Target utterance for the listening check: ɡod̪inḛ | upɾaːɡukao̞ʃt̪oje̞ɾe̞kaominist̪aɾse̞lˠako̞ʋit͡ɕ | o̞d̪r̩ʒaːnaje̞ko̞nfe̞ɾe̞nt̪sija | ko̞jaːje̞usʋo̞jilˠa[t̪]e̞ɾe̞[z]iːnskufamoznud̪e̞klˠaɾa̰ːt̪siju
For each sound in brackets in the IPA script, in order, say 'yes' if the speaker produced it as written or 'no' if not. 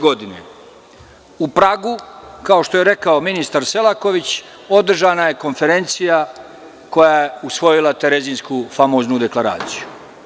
yes, yes

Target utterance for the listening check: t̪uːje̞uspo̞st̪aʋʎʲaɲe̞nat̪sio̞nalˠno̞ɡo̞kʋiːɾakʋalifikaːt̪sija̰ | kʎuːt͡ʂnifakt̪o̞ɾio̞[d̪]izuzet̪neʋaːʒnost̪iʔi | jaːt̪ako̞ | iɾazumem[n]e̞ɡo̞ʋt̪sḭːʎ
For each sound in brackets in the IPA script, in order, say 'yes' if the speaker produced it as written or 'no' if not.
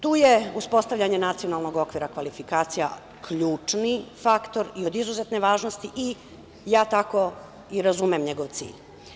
yes, no

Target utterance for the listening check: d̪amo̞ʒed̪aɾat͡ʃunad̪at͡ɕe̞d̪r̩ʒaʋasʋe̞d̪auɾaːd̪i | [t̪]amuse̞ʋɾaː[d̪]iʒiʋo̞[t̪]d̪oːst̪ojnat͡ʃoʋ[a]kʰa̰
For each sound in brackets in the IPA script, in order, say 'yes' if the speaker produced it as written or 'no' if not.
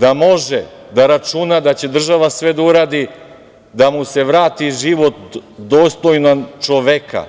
no, no, yes, no

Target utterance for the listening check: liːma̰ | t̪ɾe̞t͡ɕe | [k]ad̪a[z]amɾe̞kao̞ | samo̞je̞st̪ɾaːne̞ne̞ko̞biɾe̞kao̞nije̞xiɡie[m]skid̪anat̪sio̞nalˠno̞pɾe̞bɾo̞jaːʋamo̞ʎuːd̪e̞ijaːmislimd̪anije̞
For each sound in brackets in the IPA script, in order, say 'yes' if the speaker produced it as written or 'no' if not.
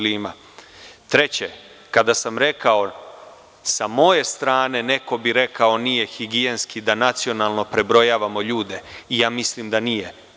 yes, no, no

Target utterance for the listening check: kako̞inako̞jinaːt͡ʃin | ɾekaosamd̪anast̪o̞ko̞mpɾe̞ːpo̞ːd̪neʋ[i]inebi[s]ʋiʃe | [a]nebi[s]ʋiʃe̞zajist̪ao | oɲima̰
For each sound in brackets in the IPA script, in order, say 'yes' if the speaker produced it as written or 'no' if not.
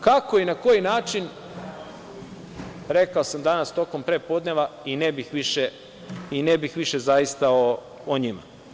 no, no, no, no

